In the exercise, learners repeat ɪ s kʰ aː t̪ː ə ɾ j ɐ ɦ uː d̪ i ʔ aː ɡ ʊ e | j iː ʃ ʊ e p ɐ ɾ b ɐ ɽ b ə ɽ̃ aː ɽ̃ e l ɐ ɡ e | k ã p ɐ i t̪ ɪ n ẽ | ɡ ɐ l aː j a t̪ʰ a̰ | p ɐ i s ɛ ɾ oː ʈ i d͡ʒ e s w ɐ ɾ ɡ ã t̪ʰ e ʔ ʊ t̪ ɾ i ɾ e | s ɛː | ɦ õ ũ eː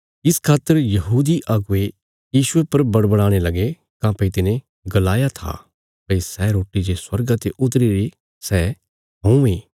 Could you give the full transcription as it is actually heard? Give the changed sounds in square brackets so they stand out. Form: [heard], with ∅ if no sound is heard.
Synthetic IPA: ɪ s kʰ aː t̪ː ə ɾ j ɐ ɦ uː d̪ i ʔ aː ɡ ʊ e | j iː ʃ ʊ e p ɐ ɾ b ɐ ɽ b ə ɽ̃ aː ɽ̃ e l ɐ ɡ e | k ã p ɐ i t̪ ɪ n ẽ | ɡ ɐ l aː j a t̪ʰ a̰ | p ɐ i s ɛ ɾ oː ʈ i d͡ʒ e s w ɐ ɾ ɡ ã [t̪] e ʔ ʊ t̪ ɾ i ɾ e | s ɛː | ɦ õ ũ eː